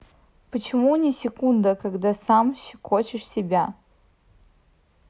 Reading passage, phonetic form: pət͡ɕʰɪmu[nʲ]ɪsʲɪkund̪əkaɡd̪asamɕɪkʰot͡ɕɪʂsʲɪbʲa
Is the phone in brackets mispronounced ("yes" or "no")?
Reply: no